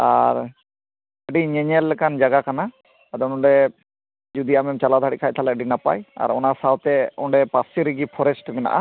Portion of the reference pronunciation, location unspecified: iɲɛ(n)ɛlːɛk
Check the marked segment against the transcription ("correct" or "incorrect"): incorrect